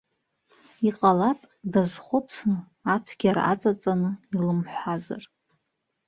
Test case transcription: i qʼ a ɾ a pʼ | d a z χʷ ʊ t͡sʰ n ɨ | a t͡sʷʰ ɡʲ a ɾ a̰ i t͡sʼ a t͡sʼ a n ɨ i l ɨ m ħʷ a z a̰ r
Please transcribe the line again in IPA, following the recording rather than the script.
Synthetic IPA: i qʼ a l a pʼ | d a z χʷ ʊ t͡sʰ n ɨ | a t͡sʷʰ ɡʲ a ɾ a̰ a t͡sʼ a t͡sʼ a n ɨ i l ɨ m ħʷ a z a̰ r